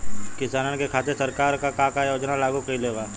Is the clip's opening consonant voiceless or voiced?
voiceless